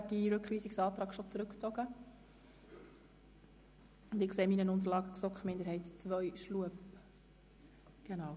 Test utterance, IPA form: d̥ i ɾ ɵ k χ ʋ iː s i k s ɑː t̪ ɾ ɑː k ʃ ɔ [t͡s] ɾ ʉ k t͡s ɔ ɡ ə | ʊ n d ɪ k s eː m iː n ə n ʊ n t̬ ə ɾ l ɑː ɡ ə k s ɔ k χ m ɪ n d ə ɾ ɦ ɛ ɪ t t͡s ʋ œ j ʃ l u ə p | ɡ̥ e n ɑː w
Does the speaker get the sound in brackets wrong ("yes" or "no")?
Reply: no